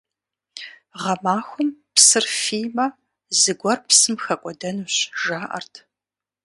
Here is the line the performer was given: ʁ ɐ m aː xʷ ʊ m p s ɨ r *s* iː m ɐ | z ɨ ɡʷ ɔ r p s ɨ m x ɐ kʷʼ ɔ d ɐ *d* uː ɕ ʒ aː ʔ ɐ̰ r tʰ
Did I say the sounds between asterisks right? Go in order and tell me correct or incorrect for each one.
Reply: incorrect, incorrect

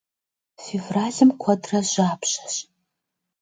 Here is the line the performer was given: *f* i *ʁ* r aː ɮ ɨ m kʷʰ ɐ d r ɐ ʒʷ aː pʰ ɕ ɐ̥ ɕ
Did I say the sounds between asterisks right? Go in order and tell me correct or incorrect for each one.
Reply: correct, incorrect

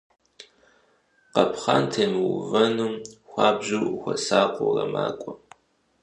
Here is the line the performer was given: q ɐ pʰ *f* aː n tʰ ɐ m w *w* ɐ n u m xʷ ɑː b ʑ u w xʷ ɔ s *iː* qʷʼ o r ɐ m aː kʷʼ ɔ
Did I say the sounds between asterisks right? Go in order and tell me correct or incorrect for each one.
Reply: incorrect, incorrect, incorrect

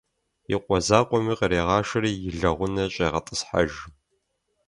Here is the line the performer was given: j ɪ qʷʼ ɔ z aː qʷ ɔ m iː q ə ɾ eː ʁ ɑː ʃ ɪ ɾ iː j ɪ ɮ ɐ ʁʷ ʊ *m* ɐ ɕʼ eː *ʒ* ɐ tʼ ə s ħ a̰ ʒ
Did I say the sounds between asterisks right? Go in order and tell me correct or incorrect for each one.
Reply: incorrect, incorrect

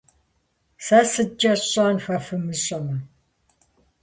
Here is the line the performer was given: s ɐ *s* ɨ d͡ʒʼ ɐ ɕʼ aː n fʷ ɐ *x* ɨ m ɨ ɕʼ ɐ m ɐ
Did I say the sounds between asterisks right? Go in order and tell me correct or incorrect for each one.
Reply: correct, incorrect

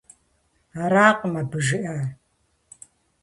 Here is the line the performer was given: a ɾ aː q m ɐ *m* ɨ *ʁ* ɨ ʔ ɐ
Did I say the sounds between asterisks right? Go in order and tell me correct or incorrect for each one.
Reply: incorrect, incorrect

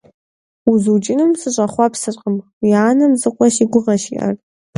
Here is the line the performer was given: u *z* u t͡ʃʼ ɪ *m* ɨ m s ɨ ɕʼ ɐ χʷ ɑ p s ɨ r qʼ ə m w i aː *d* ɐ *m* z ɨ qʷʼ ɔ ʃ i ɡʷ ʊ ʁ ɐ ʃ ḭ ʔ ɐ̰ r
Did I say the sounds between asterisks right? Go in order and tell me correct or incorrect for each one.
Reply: correct, incorrect, incorrect, correct

